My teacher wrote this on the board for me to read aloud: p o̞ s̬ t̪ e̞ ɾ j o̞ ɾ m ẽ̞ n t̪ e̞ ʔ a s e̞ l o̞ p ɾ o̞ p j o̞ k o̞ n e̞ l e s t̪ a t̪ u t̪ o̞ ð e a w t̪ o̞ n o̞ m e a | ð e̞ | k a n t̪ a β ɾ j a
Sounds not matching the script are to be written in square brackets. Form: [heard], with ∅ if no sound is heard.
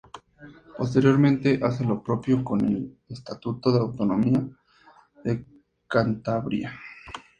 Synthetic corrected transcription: p o̞ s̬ t̪ e̞ ɾ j o̞ ɾ m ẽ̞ n t̪ e̞ ʔ a s e̞ l o̞ p ɾ o̞ p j o̞ k o̞ n e̞ l e s t̪ a t̪ u t̪ o̞ ð e a w t̪ o̞ n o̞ m [i] a | ð e̞ | k a n t̪ a β ɾ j a